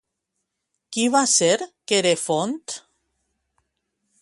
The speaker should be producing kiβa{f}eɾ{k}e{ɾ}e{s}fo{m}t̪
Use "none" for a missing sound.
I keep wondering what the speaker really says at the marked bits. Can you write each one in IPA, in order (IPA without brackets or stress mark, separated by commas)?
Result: s, k, ɾ, none, n